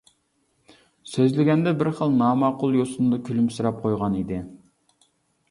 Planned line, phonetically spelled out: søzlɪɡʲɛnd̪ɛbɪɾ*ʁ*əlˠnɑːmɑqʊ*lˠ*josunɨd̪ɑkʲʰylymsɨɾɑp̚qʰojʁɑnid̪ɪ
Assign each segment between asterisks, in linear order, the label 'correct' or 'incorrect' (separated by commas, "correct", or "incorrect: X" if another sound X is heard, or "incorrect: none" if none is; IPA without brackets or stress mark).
incorrect: χ, correct